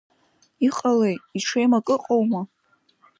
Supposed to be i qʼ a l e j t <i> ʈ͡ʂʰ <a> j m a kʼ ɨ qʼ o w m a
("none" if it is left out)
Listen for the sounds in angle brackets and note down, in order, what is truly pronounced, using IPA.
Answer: i, e

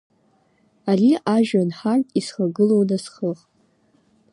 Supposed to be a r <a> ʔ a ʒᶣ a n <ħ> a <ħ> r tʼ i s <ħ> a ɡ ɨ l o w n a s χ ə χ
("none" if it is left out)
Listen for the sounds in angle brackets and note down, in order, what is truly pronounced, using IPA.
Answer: i, ħ, none, χ

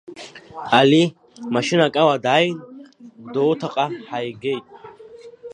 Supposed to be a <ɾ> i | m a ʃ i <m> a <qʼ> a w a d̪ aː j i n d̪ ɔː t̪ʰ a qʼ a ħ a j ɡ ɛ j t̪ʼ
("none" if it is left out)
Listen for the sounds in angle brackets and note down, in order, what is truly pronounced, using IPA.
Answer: l, n, kʼ

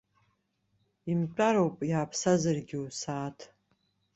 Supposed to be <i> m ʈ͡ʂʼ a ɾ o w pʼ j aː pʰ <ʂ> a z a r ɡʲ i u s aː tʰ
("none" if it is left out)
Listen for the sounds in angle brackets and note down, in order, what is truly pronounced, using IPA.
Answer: i, s

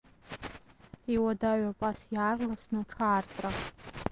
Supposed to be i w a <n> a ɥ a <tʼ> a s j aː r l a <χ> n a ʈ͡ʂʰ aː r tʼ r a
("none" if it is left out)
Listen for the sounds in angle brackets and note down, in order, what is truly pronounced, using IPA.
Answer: d, pʼ, s

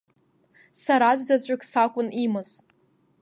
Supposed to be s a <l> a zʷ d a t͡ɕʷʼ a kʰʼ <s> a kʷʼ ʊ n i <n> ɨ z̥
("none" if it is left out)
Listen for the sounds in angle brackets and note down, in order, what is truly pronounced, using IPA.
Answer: ɾ, s, m

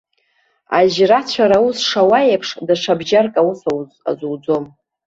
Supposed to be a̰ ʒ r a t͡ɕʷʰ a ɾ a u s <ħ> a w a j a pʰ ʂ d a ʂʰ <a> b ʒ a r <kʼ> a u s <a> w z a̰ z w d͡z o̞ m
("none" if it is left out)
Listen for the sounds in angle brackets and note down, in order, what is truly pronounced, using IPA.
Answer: ʂ, a, kʼ, a

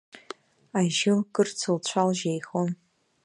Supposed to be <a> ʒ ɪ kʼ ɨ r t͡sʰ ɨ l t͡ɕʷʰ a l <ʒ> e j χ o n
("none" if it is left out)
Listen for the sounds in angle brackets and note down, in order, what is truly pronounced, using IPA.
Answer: a, ʒ

